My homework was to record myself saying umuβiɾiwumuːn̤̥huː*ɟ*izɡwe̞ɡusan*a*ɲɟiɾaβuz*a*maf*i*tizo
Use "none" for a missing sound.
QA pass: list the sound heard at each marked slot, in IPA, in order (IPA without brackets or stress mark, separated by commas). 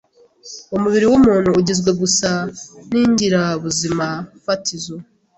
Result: ɟ, i, i, a